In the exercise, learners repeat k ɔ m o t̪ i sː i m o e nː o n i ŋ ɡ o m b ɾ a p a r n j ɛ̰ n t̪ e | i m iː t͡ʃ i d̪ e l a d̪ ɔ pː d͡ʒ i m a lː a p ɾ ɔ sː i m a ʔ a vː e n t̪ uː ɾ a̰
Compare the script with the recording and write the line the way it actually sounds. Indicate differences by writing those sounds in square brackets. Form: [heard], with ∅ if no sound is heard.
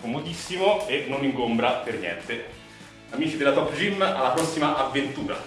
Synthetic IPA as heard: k [o] m o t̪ i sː i m o e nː o n i ŋ ɡ o m b ɾ a p [e] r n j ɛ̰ n t̪ e | [a] m iː t͡ʃ i d̪ e l a [t̪] ɔ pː d͡ʒ i m a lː a p ɾ ɔ sː i m a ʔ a vː e n t̪ uː ɾ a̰